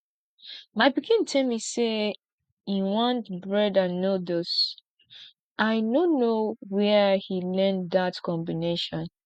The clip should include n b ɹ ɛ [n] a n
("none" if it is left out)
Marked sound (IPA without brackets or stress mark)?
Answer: d